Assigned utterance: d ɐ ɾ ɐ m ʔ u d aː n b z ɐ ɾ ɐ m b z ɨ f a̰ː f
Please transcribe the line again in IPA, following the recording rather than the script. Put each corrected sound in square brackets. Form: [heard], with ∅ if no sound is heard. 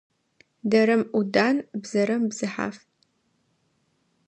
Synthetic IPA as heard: d ɐ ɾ ɐ m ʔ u d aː n b z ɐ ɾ ɐ m b z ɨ [ħ] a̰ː f

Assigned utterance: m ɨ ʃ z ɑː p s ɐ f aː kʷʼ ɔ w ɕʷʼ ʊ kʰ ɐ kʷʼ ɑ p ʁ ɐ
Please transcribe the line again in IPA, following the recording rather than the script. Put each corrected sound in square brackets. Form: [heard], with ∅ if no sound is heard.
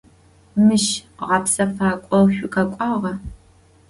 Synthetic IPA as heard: m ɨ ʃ [ʁ] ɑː p s ɐ f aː kʷʼ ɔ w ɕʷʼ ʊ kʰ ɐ kʷʼ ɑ [∅] ʁ ɐ

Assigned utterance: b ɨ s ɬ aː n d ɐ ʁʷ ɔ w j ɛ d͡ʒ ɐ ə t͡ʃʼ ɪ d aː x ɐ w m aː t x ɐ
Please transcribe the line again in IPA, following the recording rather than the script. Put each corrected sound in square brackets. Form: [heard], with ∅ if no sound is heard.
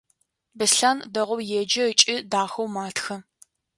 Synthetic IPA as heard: b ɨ s ɬ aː n d ɐ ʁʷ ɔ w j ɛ d͡ʒ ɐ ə t͡ʃʼ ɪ d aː x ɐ w m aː t x ɐ

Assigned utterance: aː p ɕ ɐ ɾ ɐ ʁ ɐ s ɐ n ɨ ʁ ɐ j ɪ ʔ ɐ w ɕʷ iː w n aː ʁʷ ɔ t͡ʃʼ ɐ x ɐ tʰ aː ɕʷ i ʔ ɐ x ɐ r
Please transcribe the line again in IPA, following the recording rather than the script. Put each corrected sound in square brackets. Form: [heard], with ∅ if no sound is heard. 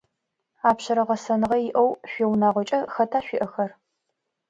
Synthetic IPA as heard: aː p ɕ ɐ ɾ ɐ ʁ ɐ s ɐ n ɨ ʁ ɐ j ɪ ʔ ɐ w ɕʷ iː w n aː ʁʷ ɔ t͡ʃʼ ɐ x ɐ tʰ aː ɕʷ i ʔ ɐ x ɐ r

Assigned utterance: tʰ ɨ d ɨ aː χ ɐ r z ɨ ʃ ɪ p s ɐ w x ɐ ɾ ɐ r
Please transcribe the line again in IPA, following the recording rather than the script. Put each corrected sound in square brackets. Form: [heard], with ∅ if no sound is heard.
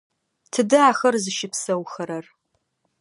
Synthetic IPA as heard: tʰ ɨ d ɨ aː [x] ɐ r z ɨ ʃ ɪ p s ɐ w x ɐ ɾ ɐ r

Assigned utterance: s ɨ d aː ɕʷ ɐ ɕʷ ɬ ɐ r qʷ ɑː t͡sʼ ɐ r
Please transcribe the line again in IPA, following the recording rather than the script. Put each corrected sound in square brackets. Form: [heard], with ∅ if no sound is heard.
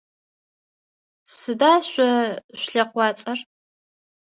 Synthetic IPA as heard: s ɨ d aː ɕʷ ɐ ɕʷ ɬ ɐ [∅] qʷ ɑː t͡sʼ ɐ r

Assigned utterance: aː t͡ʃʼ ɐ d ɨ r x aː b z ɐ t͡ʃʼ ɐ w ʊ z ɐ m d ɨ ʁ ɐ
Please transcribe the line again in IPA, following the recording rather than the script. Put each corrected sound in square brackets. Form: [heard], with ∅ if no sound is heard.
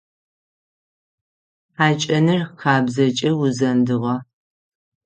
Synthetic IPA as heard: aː t͡ʃʼ ɐ [n] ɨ r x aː b z ɐ t͡ʃʼ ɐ w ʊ z ɐ [n] d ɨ ʁ ɐ

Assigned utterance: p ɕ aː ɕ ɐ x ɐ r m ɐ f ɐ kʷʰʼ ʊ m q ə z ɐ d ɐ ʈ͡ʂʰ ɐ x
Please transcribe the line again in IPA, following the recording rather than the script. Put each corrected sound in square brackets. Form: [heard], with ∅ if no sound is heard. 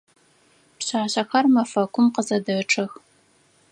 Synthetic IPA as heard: p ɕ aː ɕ ɐ x ɐ r m ɐ f ɐ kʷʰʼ ʊ m q ə z ɐ d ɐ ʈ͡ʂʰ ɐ x

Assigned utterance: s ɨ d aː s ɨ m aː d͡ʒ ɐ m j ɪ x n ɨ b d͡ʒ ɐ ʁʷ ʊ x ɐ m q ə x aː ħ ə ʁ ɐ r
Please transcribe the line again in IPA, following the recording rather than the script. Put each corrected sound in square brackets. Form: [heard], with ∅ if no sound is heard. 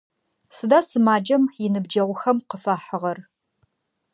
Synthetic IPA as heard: s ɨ d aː s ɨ m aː d͡ʒ ɐ m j ɪ [∅] n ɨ b d͡ʒ ɐ ʁʷ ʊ x ɐ m q ə [f] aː ħ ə ʁ ɐ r

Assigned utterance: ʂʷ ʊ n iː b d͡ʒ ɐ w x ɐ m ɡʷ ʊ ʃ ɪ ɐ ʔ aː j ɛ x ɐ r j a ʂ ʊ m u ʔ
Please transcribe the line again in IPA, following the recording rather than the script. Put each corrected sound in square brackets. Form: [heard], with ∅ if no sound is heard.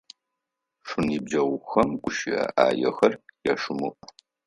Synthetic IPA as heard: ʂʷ ʊ n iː b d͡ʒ ɐ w x ɐ m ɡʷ ʊ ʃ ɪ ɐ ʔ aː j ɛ x ɐ r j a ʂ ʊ m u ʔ

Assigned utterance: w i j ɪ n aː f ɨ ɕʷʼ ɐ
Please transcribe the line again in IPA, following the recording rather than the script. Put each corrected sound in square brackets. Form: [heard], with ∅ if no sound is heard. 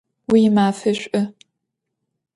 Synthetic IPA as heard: w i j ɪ [m] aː f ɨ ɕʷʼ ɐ

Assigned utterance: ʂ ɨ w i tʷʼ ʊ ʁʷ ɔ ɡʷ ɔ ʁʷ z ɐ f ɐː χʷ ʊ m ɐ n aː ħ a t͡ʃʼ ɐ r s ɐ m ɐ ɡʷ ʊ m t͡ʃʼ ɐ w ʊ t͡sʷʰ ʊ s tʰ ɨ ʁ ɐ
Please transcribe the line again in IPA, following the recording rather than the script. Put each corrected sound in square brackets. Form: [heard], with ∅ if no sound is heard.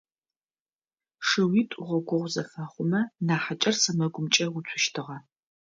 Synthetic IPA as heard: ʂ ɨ w i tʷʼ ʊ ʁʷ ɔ ɡʷ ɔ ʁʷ z ɐ f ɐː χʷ ʊ m ɐ n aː ħ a t͡ʃʼ ɐ r s ɐ m ɐ ɡʷ ʊ m t͡ʃʼ ɐ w ʊ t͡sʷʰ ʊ [ʃ] tʰ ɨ ʁ ɐ

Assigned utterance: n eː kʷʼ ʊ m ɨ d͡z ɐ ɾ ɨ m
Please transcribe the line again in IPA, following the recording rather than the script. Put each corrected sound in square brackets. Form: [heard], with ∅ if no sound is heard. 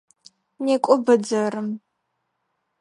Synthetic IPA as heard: n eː kʷʼ ʊ [b] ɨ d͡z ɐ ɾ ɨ m

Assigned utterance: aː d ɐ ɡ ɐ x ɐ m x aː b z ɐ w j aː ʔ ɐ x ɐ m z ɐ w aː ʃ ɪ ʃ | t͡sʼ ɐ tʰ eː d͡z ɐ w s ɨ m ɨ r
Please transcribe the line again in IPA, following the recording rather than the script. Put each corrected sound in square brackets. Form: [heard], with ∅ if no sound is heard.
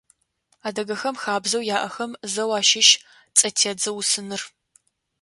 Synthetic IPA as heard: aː d ɐ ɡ ɐ x ɐ m x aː b z ɐ w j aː ʔ ɐ x ɐ m z ɐ w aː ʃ ɪ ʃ | t͡sʼ ɐ tʰ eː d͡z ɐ w s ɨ [n] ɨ r

